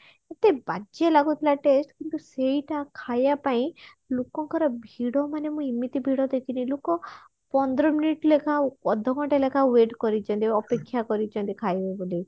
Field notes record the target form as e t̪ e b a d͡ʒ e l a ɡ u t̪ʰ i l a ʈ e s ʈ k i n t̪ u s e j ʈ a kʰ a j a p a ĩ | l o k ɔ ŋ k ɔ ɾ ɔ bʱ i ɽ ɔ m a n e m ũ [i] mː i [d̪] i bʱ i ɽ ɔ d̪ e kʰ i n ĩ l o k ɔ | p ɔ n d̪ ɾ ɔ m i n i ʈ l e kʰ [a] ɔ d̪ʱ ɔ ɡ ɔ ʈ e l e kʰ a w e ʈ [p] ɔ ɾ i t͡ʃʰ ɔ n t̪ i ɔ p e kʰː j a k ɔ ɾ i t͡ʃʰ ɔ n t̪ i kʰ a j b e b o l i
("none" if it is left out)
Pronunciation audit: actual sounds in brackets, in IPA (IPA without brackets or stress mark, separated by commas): i, t̪, a, k